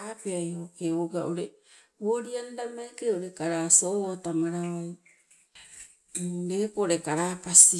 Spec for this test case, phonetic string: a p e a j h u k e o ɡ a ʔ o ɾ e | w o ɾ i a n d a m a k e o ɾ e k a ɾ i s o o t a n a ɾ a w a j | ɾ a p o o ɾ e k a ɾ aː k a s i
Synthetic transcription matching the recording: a p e a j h o k e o ɡ a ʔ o ɾ e | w o ɾ i a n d a m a k e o ɾ e k a ɾ a s o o t a m a ɾ a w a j | ɾ e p o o ɾ e k a ɾ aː p a s i